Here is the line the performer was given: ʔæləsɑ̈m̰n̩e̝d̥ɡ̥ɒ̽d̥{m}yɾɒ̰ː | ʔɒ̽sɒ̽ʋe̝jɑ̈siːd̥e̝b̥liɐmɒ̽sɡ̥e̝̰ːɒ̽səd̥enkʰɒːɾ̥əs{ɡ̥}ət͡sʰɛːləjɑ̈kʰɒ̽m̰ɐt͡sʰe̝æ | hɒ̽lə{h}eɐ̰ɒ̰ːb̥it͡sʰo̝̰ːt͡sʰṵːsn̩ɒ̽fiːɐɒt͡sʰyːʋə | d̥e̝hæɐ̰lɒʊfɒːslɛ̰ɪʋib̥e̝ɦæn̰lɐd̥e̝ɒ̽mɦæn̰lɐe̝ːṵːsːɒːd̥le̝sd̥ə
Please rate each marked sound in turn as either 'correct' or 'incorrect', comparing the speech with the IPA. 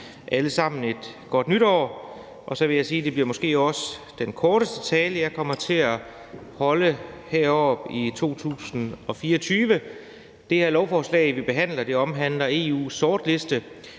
incorrect: n, incorrect: d̥, correct

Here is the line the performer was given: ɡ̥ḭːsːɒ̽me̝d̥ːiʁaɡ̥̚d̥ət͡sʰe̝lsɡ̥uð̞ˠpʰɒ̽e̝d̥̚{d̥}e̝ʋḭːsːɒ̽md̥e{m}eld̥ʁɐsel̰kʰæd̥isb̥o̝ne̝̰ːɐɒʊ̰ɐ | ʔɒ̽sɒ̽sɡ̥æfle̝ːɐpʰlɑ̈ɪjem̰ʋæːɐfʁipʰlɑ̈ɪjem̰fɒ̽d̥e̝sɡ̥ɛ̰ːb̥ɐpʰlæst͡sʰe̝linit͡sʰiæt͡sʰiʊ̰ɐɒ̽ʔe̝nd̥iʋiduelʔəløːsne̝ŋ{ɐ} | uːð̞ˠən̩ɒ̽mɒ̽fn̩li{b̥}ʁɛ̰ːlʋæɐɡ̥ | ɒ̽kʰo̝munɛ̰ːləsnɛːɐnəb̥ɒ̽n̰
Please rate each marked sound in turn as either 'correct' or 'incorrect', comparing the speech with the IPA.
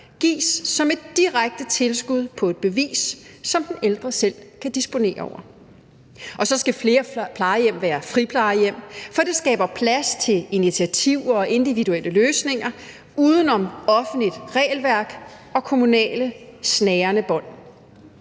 incorrect: b̥, incorrect: n, correct, incorrect: d̥

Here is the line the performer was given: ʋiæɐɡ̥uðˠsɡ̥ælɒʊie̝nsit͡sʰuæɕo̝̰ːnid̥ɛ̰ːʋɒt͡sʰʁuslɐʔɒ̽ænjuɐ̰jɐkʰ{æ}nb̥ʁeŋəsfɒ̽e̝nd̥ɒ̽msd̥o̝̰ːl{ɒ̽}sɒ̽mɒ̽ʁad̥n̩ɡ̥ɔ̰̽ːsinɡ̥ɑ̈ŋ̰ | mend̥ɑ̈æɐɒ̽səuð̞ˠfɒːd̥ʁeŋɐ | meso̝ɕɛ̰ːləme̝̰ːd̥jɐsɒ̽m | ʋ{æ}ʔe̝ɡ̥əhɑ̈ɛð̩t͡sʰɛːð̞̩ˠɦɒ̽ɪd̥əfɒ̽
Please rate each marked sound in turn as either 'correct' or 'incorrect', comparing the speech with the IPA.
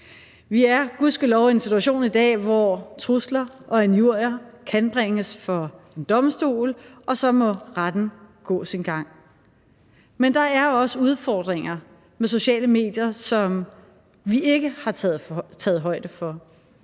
correct, correct, incorrect: i

